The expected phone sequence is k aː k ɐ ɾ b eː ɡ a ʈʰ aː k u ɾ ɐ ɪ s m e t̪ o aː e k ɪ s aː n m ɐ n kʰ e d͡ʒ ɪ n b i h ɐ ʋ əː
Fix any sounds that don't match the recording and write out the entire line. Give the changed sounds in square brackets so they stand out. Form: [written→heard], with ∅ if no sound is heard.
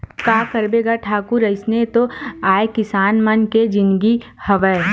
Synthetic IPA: k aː k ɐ ɾ b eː ɡ a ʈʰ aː k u ɾ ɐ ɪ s [m→n] e t̪ o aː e k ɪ s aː n m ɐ n [kʰ→k] e d͡ʒ ɪ n [b→ɡ] i h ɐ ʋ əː